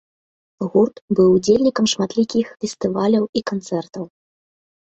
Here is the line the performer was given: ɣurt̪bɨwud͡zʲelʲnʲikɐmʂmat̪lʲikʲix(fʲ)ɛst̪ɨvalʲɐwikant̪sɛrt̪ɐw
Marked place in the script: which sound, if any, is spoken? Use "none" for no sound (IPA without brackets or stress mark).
fʲ